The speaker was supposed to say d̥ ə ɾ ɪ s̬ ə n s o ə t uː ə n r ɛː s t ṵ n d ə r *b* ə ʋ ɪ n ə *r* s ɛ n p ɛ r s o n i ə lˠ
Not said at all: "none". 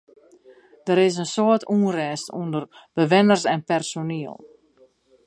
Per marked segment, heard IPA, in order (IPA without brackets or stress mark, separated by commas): b, r